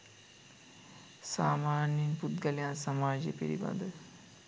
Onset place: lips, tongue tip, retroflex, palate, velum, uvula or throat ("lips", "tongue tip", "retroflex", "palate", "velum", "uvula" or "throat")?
tongue tip